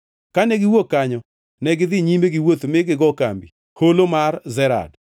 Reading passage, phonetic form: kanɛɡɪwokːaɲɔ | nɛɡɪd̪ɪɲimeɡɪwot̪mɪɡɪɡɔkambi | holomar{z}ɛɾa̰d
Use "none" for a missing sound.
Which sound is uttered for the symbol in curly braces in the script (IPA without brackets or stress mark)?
z